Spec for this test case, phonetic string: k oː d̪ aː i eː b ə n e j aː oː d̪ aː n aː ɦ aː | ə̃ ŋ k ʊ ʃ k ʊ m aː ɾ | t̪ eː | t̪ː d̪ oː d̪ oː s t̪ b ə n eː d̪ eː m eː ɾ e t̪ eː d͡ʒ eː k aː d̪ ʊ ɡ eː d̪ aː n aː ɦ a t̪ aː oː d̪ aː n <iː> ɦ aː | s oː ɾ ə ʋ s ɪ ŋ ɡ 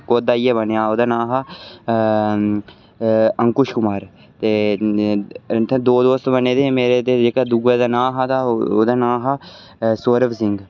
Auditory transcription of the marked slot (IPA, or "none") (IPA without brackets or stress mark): aː